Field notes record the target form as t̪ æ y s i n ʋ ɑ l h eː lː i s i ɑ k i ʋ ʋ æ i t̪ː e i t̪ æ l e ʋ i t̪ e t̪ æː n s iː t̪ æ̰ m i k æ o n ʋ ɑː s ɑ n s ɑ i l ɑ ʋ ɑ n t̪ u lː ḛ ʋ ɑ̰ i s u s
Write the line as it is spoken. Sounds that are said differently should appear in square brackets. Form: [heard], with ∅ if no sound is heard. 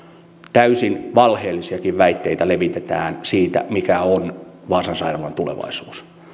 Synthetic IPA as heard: t̪ æ y s i n ʋ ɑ l h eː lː i s i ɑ k i ʋ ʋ æ i t̪ː e i t̪ æ l e ʋ i t̪ e t̪ æː n s iː t̪ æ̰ m i k æ o n ʋ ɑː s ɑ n s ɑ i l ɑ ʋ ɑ n t̪ u [l] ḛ ʋ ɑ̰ i s [uː] s